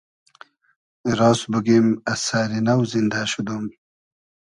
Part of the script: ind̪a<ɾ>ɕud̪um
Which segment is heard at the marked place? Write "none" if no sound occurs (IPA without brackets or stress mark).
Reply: none